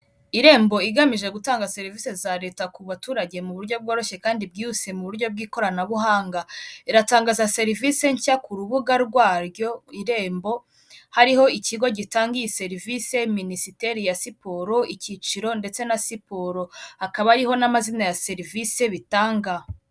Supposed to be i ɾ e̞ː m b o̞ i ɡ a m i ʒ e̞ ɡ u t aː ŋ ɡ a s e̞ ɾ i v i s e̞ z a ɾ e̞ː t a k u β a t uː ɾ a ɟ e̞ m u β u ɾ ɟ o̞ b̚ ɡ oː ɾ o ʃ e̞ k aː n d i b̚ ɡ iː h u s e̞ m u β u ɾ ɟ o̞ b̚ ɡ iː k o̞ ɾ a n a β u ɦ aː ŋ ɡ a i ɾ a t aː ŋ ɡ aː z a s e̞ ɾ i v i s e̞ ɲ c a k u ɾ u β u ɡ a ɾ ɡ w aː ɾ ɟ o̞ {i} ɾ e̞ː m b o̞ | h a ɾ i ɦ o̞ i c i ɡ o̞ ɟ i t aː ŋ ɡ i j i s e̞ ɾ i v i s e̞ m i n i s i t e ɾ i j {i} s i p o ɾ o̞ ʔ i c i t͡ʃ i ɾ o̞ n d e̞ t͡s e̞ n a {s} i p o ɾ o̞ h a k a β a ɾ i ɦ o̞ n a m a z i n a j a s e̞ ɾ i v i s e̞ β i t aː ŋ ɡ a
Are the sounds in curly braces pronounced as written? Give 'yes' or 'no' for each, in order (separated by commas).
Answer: yes, no, yes